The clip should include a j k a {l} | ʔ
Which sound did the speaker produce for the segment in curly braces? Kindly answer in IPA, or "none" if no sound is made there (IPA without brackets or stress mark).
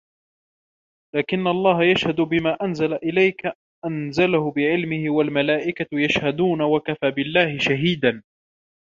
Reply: none